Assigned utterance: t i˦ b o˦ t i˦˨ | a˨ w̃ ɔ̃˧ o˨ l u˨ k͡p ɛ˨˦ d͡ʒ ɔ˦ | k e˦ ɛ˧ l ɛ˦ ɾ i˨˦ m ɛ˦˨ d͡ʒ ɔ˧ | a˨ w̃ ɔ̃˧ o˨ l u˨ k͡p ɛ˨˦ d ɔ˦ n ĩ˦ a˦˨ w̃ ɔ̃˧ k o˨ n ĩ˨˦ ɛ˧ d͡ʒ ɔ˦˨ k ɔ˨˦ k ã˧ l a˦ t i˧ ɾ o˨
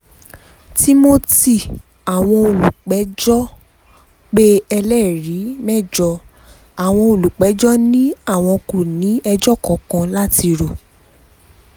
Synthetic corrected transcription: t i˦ m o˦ t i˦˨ | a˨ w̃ ɔ̃˧ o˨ l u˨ k͡p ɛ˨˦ d͡ʒ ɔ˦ | k͡p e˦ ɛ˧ l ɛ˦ ɾ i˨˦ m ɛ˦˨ d͡ʒ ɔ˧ | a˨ w̃ ɔ̃˧ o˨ l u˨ k͡p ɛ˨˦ d͡ʒ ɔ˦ n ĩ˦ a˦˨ w̃ ɔ̃˧ k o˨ n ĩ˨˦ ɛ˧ d͡ʒ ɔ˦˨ k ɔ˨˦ k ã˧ l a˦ t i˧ ɾ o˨